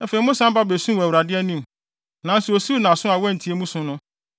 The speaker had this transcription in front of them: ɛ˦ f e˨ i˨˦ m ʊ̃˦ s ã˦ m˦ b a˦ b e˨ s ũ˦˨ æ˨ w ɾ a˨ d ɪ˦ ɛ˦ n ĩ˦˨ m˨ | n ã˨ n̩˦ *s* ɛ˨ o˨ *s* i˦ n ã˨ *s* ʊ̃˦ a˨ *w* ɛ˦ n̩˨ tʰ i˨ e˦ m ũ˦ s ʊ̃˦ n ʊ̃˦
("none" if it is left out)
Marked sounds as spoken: s, s, s, w

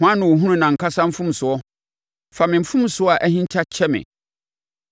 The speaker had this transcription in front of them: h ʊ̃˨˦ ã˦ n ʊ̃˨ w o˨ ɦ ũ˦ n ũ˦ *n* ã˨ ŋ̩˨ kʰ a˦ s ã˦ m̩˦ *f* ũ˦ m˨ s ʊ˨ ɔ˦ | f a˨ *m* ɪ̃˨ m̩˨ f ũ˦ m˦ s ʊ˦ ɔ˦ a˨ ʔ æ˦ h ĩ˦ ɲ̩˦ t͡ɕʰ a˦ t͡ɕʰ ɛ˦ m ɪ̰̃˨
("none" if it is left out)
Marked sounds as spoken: n, f, m

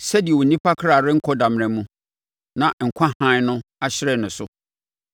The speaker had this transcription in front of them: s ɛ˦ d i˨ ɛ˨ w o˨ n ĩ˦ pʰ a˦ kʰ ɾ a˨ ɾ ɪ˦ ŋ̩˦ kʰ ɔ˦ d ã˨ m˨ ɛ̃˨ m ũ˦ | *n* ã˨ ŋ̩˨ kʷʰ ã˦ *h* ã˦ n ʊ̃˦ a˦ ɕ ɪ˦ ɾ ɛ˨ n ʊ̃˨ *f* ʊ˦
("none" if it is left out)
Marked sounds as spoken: n, h, s

